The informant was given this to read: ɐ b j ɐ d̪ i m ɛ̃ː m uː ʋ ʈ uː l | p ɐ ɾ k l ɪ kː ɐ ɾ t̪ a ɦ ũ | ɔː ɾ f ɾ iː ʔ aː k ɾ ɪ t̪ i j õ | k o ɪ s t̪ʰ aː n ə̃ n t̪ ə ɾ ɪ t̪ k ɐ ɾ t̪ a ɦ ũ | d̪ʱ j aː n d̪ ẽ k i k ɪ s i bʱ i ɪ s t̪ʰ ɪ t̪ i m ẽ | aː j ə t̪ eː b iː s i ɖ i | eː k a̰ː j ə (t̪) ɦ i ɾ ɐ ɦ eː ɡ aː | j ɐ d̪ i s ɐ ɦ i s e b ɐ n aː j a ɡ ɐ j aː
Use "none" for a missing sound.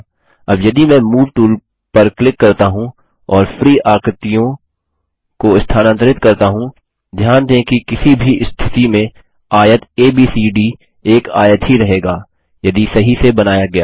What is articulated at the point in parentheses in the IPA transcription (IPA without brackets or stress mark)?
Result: t̪